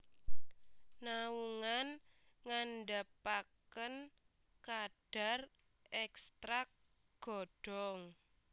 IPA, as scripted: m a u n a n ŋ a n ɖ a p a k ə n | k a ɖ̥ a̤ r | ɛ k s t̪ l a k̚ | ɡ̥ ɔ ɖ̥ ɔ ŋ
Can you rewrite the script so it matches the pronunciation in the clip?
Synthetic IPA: n a u ŋ a n ŋ a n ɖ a p a k ə n | k a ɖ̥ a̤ r | ɛ k s t̪ ɾ a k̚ | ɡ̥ ɔ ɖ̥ ɔ ŋ